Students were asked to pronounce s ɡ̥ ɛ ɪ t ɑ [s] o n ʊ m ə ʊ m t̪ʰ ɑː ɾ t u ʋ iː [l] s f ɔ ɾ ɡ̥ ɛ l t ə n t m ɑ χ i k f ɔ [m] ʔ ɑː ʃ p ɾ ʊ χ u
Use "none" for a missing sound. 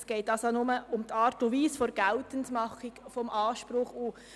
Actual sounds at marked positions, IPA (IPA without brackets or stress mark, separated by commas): s, none, m